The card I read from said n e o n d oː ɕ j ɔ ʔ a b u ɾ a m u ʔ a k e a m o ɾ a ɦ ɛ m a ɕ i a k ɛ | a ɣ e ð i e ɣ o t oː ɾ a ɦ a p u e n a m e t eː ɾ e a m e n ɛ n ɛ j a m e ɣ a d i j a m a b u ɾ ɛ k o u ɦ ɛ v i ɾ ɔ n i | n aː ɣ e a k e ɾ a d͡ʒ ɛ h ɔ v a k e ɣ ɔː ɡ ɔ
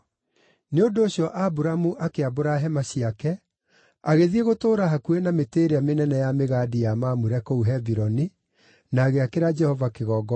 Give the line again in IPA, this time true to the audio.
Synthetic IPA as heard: n e o n d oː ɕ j ɔ ʔ a b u ɾ a m u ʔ a k e a b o ɾ a ɦ ɛ m a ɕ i a k ɛ | a ɣ e ð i e ɣ o t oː ɾ a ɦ a k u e n a m e t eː ɾ e a m e n ɛ n ɛ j a m e ɣ a d i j a m a m u ɾ ɛ k o u ɦ ɛ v i ɾ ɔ n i | n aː ɣ e a k e ɾ a d͡ʒ ɛ h ɔ v a k e ɣ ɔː ɡ ɔ